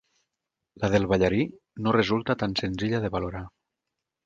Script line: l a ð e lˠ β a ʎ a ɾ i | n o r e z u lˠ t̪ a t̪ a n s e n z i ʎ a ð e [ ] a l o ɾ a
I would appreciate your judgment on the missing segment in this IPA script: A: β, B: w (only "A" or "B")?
A